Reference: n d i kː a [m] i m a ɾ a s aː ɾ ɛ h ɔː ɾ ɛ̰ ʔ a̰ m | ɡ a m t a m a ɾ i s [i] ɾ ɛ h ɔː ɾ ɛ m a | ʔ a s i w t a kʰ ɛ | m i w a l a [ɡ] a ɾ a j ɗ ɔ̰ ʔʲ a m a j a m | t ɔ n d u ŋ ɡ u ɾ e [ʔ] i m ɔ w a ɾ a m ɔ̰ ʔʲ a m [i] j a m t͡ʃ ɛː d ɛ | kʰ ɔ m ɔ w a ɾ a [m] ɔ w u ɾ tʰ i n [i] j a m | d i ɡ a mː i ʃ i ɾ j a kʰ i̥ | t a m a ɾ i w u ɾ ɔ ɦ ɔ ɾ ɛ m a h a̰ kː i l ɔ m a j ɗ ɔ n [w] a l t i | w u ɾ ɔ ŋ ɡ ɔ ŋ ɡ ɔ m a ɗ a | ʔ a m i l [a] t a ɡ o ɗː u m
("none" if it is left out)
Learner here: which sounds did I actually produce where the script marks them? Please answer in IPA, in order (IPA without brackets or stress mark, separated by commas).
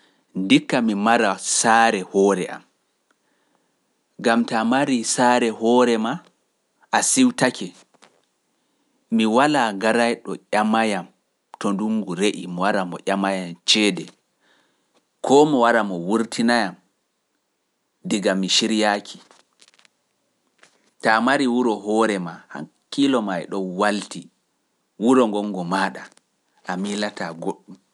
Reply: m, a, ɡ, ʔ, a, m, a, w, a